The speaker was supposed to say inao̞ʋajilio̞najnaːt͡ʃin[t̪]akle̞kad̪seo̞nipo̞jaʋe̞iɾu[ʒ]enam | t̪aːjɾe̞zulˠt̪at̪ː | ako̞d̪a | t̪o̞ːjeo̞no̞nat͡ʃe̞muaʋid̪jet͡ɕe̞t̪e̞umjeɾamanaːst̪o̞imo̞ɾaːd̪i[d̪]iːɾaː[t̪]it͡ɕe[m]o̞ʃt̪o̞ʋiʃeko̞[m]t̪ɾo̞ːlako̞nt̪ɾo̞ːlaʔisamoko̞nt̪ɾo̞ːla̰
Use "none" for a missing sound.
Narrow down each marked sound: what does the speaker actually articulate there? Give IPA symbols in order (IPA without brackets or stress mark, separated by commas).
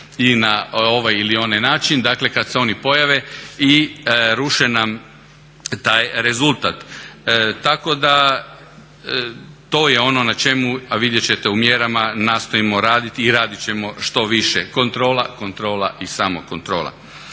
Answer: d̪, ʃ, t̪, d̪, m, n